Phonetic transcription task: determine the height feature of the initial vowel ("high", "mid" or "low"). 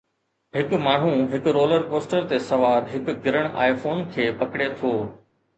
high